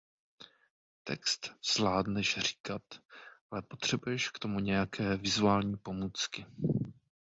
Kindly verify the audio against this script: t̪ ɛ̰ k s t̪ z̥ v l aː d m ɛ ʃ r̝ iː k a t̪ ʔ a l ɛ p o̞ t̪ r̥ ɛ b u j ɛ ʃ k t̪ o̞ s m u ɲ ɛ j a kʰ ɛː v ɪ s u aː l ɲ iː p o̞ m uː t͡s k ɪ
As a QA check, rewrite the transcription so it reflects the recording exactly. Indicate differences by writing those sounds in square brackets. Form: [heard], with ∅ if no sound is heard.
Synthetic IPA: t̪ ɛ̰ k s t̪ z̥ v l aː d [n] ɛ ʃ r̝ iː k a t̪ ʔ a l ɛ p o̞ t̪ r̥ ɛ b u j ɛ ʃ k t̪ o̞ [∅] m u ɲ ɛ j a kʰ ɛː v ɪ [z] u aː l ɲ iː p o̞ m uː t͡s k ɪ